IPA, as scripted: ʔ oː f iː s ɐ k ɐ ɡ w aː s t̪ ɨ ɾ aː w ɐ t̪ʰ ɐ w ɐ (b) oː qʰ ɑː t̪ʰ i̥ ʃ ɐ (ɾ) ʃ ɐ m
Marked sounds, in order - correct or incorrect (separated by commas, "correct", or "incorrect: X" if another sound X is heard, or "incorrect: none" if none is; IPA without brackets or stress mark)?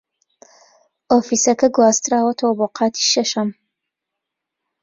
correct, incorrect: none